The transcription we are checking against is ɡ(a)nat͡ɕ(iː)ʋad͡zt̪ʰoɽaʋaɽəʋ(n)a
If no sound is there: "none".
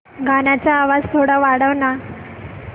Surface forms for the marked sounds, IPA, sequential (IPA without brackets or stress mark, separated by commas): a, aː, n